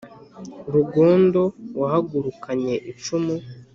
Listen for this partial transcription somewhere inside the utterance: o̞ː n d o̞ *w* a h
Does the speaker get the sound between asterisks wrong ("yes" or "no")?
no